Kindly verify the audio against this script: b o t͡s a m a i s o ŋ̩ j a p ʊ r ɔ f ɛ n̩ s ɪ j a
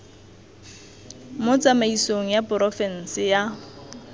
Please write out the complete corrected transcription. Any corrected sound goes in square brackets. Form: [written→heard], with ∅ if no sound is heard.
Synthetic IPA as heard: [b→m] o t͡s a m a i s o ŋ̩ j a p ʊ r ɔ f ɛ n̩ s ɪ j a